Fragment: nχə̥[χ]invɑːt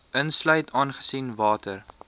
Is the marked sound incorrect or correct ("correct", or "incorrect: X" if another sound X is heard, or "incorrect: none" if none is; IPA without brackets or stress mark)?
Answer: incorrect: s